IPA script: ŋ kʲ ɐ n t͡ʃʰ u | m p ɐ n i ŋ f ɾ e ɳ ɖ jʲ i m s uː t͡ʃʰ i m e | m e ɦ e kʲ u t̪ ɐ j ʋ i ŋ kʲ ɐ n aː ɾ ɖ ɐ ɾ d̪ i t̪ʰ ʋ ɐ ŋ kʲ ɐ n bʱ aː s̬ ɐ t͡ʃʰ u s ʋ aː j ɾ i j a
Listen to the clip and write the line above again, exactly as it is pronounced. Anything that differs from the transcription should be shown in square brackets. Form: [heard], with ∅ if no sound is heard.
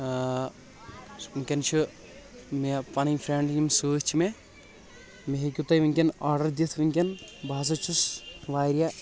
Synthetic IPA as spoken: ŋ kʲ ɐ n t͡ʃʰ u | m p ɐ n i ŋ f ɾ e ɳ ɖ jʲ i m s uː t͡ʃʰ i m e | m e ɦ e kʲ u t̪ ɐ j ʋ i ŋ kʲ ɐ n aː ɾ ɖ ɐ ɾ d̪ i t̪ʰ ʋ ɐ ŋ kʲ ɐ n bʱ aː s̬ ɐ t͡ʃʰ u s ʋ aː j ɾ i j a

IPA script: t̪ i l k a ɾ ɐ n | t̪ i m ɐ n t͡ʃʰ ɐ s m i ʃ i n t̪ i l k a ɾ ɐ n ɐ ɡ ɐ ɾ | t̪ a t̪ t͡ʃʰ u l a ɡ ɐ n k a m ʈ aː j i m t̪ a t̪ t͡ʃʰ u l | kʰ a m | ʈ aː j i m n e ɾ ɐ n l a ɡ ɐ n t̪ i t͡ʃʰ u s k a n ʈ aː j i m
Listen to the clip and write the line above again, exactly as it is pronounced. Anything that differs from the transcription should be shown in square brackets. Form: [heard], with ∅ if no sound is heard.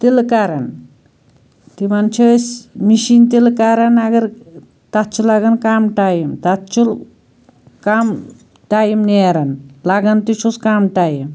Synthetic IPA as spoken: t̪ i l k a ɾ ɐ n | t̪ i m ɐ n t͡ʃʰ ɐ s m i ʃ i n t̪ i l k a ɾ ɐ n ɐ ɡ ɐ ɾ | t̪ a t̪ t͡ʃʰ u l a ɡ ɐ n k a m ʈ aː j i m t̪ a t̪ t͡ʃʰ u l | [k] a m | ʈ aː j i m n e ɾ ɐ n l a ɡ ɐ n t̪ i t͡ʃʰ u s k a [m] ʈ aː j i m

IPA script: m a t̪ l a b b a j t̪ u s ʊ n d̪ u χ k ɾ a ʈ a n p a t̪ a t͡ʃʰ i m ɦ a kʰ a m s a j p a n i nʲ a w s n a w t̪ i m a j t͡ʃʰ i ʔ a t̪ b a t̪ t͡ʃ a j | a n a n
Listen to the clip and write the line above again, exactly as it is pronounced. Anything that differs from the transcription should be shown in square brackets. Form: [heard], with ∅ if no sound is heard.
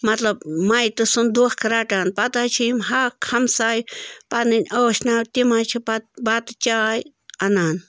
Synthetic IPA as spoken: m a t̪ l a b [m] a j t̪ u s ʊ n d̪ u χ k ɾ a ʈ a n p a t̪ a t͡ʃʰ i m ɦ a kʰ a m s a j p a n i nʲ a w [ʃ] n a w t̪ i m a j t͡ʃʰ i [p] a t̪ b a t̪ t͡ʃ a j | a n a n

